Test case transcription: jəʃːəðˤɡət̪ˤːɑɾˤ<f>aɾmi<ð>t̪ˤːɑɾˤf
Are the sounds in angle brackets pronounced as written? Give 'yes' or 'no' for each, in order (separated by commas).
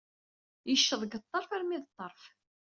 yes, yes